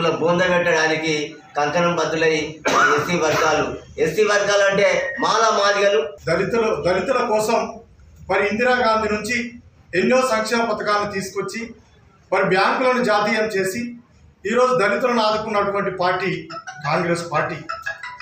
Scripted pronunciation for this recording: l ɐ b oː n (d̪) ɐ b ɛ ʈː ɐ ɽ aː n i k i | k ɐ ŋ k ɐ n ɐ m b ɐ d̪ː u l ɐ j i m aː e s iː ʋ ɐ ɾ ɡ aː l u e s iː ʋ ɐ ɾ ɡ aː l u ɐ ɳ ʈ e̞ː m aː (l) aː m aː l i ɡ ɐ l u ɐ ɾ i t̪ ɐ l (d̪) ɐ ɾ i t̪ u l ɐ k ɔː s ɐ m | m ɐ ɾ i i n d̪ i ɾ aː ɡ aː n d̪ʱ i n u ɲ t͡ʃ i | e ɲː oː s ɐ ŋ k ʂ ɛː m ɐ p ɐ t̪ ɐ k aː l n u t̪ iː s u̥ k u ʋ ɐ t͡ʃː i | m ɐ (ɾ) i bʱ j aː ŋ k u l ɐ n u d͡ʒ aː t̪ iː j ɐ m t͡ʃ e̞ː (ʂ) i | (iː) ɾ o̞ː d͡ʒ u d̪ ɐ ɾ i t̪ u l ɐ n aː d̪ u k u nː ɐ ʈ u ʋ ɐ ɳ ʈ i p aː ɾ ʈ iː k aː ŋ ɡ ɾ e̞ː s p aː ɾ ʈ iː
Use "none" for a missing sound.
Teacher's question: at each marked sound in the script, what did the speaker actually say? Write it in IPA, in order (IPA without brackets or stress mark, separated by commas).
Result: d̪, l, d̪, ɾ, s, iː